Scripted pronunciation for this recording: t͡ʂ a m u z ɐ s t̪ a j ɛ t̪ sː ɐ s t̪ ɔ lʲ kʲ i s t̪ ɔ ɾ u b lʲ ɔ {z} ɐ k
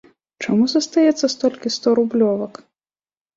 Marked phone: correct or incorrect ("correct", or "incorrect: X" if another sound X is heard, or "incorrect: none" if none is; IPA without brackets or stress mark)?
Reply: incorrect: v